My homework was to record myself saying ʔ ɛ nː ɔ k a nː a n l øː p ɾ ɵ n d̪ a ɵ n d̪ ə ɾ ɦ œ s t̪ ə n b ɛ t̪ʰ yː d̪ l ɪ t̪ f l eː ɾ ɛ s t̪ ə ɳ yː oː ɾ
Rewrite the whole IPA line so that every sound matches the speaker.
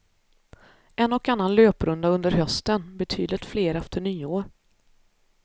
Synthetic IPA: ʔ ɛ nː ɔ k a nː a n l øː p ɾ ɵ n d̪ a ɵ n d̪ ə ɾ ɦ œ s t̪ ə n b ɛ t̪ʰ yː d̪ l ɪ t̪ f l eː ɾ ɛ f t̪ ə ɳ yː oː ɾ